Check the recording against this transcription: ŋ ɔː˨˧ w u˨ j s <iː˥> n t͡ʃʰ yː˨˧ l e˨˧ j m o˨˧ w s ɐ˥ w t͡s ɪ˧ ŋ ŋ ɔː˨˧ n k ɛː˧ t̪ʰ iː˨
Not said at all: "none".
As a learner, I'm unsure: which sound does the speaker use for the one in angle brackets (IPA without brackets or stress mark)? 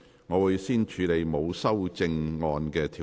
iː˥